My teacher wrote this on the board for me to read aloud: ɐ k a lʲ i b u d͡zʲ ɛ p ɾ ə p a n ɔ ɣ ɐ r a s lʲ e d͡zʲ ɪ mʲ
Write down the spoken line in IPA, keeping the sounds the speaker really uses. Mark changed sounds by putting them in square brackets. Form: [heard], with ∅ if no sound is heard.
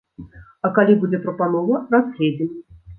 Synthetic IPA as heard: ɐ k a lʲ i b u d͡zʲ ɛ p ɾ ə p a n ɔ [v] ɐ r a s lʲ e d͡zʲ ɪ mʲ

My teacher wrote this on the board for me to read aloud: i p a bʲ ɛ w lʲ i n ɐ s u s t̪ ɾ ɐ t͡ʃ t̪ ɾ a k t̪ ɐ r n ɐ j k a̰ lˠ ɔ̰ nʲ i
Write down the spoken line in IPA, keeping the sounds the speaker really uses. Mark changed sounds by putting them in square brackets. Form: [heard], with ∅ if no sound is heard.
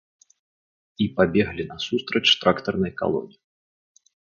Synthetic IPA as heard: i p a bʲ ɛ [ɣ] lʲ i n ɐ s u s t̪ ɾ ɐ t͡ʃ t̪ ɾ a k t̪ ɐ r n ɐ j k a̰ lˠ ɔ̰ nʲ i

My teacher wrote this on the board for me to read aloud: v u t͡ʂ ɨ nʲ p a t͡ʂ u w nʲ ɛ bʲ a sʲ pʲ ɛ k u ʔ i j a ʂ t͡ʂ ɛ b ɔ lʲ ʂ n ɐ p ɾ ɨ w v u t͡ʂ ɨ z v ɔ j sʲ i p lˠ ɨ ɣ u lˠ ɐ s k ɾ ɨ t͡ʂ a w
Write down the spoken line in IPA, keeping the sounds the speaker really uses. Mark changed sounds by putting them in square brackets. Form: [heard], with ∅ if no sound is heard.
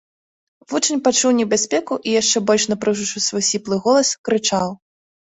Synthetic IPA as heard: v u t͡ʂ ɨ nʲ p a t͡ʂ u w nʲ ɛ bʲ a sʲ pʲ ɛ k u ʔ i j a ʂ t͡ʂ ɛ b ɔ lʲ ʂ n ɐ p ɾ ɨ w [ʐ] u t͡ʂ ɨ [s] v ɔ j sʲ i p lˠ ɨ ɣ [ɔ] lˠ ɐ s k ɾ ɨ t͡ʂ a w

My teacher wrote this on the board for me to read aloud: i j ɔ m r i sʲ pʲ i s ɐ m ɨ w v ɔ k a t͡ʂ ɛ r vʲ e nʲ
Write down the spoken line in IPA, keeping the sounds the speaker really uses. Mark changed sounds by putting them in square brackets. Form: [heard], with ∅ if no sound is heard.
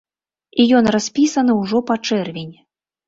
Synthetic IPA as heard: i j ɔ [n] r [a] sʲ pʲ i s ɐ [n] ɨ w [ʐ] ɔ [p] a t͡ʂ ɛ r vʲ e nʲ

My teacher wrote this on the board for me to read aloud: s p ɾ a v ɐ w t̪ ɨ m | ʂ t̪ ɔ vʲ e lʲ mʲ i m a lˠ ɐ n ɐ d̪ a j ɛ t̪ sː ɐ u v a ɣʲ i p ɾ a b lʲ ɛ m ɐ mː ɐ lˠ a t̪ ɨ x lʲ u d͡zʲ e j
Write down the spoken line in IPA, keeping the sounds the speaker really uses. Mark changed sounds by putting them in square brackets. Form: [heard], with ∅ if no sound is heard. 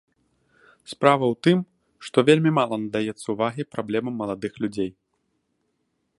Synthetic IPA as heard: s p ɾ a v ɐ w t̪ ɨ m | ʂ t̪ ɔ vʲ e lʲ mʲ i m a lˠ ɐ n ɐ d̪ a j ɛ t̪ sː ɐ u v a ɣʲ i p ɾ a b lʲ ɛ m ɐ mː ɐ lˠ a [d̪] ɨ x lʲ u d͡zʲ e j

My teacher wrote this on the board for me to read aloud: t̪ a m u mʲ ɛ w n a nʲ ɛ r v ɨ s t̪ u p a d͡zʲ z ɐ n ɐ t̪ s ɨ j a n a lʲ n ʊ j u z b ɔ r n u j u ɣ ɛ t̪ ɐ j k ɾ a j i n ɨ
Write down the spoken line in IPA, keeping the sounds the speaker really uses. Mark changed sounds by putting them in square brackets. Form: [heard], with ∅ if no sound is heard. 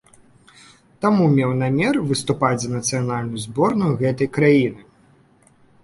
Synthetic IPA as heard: t̪ a m u mʲ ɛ w n a [mʲ] ɛ r v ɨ s t̪ u p a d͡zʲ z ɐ n ɐ t̪ s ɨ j a n a lʲ n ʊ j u z b ɔ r n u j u ɣ ɛ t̪ ɐ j k ɾ a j i n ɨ

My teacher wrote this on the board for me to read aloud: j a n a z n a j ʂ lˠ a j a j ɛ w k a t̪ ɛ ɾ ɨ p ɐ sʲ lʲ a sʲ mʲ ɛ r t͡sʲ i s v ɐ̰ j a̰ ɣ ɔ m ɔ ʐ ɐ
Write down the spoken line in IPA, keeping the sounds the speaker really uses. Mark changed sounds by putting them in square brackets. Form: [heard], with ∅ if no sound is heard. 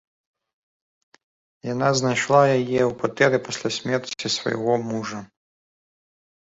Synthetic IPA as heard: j a n a z n a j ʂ lˠ a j a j ɛ w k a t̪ ɛ ɾ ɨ p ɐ sʲ lʲ a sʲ mʲ ɛ r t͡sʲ i s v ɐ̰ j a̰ ɣ ɔ m [u] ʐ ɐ

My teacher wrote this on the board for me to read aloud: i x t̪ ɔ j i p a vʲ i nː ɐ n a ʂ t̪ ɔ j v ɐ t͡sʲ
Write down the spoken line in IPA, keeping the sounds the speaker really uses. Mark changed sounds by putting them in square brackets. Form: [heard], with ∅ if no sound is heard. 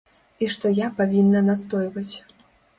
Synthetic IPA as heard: i [ʂ] t̪ ɔ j [a] p a vʲ i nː ɐ n a [s] t̪ ɔ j v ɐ t͡sʲ

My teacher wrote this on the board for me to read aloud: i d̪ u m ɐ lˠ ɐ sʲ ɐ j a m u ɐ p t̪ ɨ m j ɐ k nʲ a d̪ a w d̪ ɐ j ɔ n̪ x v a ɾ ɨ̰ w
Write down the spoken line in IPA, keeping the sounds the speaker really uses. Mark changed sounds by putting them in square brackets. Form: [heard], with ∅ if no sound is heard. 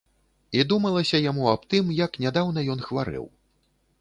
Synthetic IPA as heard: i d̪ u m ɐ lˠ ɐ sʲ ɐ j a m u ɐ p t̪ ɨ m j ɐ k nʲ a d̪ a w [n̪] ɐ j ɔ n̪ x v a ɾ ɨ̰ w

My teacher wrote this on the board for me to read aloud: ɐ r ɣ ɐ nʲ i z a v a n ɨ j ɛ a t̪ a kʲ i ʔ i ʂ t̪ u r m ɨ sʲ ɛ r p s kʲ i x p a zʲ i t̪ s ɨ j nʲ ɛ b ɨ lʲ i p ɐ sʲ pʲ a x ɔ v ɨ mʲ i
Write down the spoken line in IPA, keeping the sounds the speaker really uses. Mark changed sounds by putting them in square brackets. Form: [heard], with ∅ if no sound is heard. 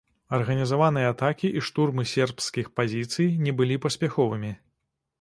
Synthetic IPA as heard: ɐ r ɣ ɐ nʲ i z a v a n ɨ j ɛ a t̪ a kʲ i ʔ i ʂ t̪ u r m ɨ sʲ ɛ r p s kʲ i x p a zʲ i t̪ s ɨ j nʲ ɛ b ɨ lʲ i p ɐ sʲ pʲ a x ɔ v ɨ mʲ i

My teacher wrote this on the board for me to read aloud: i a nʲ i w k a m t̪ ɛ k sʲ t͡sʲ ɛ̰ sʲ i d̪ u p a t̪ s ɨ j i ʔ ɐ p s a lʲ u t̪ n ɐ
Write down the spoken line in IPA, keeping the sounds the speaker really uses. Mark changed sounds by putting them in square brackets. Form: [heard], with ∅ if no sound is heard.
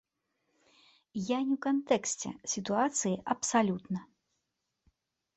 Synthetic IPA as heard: [j] a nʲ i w k a [n] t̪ ɛ k sʲ t͡sʲ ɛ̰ sʲ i [t̪] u [∅] a t̪ s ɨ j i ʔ ɐ p s a lʲ u t̪ n ɐ

